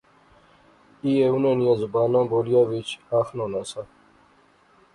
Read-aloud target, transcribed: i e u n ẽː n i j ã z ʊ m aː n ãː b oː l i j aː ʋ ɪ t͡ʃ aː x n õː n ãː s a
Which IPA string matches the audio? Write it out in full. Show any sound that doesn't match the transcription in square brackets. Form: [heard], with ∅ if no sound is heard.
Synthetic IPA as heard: i e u n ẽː n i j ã z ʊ [b] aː n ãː b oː l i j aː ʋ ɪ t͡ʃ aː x n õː n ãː s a